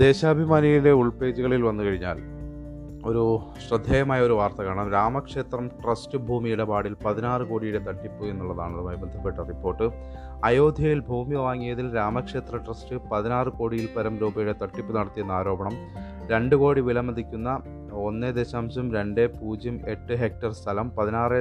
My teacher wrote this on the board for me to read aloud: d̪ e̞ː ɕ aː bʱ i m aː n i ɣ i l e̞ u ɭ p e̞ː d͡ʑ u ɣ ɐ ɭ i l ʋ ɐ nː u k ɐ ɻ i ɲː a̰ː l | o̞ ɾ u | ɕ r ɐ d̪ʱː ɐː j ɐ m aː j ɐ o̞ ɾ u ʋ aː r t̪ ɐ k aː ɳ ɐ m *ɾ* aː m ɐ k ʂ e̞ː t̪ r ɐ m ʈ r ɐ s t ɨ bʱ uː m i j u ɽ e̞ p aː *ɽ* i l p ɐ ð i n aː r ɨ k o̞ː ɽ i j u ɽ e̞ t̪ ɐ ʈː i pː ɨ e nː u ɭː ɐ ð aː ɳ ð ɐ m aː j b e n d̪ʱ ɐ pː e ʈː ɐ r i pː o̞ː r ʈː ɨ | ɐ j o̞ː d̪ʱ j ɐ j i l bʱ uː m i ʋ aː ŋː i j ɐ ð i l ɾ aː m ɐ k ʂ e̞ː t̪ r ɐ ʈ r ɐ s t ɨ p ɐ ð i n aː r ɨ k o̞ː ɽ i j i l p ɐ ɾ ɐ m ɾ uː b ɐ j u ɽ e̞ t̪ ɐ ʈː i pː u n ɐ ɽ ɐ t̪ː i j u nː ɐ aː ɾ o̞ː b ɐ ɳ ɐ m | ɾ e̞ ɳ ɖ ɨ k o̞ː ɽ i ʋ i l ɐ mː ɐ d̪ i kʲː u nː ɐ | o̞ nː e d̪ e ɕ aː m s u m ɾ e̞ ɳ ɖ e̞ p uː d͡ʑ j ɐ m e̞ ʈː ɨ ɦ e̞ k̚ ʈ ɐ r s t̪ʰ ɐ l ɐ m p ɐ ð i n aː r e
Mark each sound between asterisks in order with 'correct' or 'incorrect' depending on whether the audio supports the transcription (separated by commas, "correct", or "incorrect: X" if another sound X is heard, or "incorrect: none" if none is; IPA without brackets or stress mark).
correct, correct